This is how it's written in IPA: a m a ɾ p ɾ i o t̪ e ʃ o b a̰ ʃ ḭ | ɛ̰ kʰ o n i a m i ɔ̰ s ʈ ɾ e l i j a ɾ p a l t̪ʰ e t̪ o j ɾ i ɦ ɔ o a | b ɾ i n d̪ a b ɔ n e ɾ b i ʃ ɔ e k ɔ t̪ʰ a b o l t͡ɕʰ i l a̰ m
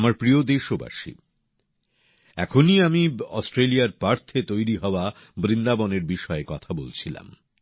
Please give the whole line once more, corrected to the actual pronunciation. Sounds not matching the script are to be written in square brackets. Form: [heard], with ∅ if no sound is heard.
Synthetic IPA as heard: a m a ɾ p ɾ i o [d̪] e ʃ o b a̰ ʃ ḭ | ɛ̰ kʰ o n i a m i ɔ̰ s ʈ ɾ e l i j a ɾ p a [ɾ] t̪ʰ e t̪ o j ɾ i ɦ ɔ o a | b ɾ i n d̪ a b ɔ n e ɾ b i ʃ ɔ e k ɔ t̪ʰ a b o l t͡ɕʰ i l a̰ m